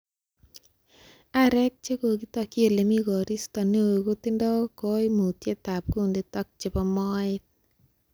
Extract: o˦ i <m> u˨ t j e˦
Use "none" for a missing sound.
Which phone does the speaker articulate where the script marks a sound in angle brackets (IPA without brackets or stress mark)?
m